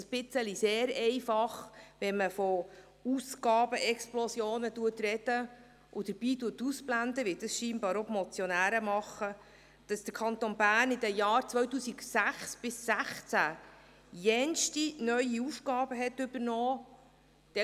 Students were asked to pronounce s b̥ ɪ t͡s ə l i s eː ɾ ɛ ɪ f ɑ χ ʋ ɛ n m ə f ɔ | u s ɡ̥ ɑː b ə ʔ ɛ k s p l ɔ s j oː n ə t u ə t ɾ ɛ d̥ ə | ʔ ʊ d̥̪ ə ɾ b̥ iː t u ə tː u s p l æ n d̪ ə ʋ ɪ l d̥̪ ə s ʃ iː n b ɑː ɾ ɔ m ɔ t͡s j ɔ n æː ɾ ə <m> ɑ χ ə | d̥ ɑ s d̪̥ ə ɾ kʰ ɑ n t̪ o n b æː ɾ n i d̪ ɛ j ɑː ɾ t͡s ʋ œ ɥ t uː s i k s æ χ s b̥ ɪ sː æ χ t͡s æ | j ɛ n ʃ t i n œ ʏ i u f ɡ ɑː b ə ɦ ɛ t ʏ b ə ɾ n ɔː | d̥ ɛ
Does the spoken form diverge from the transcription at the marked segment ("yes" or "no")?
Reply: no